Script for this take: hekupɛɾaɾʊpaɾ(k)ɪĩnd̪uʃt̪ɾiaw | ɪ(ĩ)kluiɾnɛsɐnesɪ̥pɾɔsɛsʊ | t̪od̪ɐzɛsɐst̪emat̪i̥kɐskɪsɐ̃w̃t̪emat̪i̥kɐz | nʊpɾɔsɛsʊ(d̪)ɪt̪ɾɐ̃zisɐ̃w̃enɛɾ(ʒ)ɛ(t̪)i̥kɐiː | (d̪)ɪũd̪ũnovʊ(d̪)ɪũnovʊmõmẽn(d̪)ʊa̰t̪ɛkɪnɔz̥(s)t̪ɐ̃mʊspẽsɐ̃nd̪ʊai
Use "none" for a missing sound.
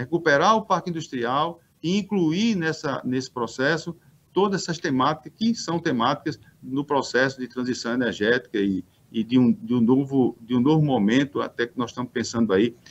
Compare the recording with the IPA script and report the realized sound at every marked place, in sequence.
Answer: k, ĩ, d̪, ʒ, t̪, d̪, d̪, t̪, ʃ

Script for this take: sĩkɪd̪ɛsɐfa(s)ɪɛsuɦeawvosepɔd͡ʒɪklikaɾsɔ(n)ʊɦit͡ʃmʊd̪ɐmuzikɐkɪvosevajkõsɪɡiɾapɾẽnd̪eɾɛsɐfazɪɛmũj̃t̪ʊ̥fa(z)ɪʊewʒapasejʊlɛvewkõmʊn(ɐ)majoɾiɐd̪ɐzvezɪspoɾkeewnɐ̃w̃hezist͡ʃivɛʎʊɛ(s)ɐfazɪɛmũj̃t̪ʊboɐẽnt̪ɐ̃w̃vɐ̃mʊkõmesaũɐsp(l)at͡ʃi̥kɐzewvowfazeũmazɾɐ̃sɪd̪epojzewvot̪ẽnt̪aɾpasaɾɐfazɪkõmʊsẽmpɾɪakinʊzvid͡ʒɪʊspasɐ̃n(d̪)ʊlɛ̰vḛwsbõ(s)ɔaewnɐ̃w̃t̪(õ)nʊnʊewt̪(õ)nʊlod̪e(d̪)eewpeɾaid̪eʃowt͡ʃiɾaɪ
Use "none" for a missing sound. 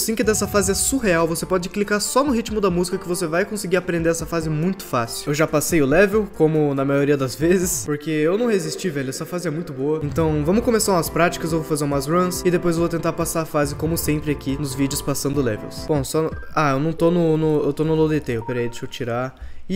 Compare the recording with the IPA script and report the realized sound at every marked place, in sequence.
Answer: z, n, s, ɐ, s, ɾ, d̪, s, o, o, t̪

